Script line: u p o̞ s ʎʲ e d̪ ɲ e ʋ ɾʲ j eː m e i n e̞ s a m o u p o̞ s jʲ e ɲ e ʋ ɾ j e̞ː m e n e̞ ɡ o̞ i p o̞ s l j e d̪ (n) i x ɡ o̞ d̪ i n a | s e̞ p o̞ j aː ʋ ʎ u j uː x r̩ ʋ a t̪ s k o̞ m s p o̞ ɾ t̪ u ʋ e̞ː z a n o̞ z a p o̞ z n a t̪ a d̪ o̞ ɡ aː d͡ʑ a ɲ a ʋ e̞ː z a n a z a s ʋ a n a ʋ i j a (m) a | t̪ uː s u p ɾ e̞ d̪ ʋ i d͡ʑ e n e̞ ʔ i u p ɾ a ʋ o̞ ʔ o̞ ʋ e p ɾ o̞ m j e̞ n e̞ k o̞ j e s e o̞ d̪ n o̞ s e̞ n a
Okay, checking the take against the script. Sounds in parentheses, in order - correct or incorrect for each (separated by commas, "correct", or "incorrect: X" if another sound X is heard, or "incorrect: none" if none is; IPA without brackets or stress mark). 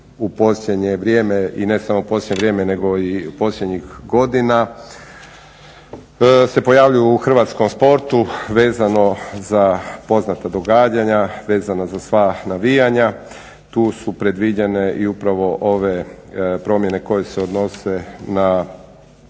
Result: incorrect: ɲ, incorrect: ɲ